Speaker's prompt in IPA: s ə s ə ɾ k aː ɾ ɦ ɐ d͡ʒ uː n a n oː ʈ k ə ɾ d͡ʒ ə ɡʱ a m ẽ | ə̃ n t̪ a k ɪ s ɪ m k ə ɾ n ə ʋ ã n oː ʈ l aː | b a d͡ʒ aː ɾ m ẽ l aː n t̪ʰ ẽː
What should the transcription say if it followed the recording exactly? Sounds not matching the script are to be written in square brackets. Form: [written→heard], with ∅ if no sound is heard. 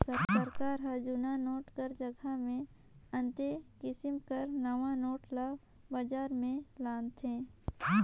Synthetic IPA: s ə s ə ɾ k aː ɾ ɦ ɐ d͡ʒ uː n a n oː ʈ k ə ɾ d͡ʒ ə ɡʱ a m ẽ | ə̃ n t̪ [a→e] k ɪ s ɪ m k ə ɾ n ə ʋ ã n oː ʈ l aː | b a d͡ʒ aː ɾ m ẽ l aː n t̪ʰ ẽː